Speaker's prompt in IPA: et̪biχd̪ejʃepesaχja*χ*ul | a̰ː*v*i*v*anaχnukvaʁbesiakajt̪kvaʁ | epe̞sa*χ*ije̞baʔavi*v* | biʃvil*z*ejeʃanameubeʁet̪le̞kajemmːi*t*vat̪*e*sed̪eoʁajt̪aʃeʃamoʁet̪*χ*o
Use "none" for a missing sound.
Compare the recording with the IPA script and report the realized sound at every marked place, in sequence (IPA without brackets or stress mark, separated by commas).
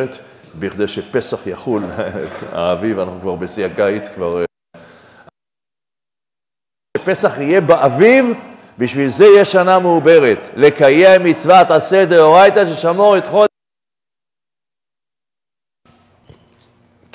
χ, v, v, χ, v, z, t͡s, a, χ